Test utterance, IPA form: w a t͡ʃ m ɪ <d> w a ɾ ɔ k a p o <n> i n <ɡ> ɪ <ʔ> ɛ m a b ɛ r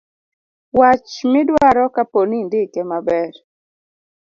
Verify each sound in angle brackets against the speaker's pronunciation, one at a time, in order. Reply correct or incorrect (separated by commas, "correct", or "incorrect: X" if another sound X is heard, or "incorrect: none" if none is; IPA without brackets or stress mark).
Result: correct, correct, incorrect: d, incorrect: k